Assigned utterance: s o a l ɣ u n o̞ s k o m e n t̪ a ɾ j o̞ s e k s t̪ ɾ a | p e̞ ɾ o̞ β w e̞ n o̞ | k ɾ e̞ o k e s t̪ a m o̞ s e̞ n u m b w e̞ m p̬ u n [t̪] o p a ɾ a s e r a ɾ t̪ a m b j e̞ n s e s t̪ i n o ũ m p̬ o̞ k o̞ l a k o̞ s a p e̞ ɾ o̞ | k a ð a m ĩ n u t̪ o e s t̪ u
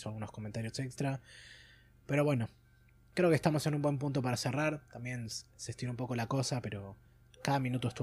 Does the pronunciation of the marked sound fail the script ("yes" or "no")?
no